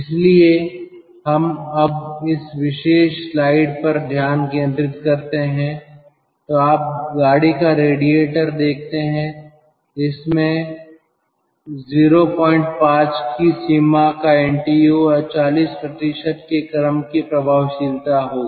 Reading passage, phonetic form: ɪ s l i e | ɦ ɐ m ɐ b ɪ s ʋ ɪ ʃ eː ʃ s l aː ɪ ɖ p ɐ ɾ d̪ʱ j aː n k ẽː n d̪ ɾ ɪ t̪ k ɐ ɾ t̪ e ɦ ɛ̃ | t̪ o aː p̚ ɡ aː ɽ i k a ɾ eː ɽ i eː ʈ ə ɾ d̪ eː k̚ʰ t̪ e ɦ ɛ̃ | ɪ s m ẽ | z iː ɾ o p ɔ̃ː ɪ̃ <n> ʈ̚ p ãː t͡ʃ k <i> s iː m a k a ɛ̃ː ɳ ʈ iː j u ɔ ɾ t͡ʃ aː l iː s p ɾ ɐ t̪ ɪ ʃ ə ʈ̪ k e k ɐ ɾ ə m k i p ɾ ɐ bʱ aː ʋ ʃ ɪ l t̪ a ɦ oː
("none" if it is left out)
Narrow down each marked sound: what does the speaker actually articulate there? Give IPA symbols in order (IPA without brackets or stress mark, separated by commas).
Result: ɳ, i